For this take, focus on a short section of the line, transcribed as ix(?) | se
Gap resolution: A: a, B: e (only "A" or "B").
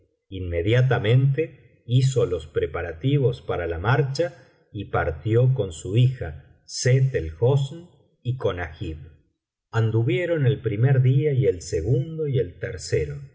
A